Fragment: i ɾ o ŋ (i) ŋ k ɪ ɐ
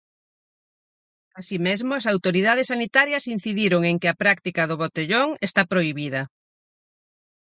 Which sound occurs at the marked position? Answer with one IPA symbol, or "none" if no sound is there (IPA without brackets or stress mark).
e